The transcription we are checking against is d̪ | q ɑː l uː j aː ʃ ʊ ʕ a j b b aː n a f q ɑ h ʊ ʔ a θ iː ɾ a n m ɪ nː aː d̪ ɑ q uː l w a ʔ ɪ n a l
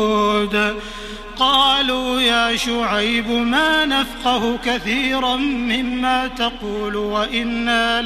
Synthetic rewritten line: d̪ | q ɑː l uː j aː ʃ ʊ ʕ a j b m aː n a f q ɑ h ʊ k a θ iː ɾ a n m ɪ mː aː t̪ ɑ q uː l w a ʔ ɪ nː a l